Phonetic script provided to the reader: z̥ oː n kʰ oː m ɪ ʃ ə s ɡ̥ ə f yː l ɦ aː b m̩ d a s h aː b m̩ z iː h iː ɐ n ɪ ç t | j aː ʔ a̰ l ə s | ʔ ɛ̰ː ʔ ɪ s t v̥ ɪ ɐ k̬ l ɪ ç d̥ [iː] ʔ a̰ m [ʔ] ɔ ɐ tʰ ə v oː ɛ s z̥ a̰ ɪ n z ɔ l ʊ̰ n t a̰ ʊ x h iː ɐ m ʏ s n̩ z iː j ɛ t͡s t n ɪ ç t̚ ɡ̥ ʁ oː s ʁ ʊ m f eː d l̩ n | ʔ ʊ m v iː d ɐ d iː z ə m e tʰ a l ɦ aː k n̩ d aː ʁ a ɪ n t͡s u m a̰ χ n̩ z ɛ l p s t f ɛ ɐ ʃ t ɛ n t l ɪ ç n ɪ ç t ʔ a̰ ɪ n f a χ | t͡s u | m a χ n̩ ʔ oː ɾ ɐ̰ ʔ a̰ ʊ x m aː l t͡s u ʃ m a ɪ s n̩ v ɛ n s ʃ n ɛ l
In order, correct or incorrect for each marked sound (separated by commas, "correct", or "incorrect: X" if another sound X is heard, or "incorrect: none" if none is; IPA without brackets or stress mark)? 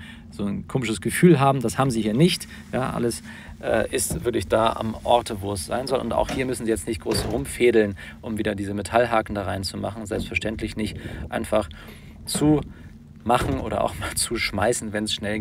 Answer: incorrect: aː, correct